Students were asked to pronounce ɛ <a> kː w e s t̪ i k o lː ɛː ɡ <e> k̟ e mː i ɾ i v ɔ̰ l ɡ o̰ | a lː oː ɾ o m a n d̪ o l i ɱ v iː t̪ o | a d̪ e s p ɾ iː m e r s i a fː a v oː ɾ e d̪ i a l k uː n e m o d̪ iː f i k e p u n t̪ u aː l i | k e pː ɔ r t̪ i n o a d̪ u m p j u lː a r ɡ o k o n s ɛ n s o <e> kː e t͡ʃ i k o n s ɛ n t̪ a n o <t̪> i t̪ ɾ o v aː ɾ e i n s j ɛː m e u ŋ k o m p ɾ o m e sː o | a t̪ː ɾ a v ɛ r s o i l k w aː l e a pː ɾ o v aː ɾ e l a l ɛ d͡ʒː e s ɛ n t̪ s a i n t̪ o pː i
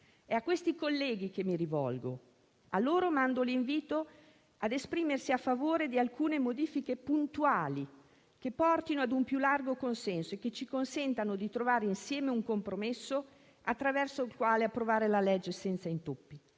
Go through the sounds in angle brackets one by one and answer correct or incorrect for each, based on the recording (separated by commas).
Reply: correct, incorrect, correct, incorrect